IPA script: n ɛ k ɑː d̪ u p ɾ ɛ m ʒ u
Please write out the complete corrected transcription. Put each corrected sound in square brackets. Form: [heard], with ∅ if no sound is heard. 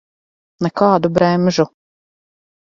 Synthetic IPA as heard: n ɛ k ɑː d̪ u [b] ɾ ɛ m ʒ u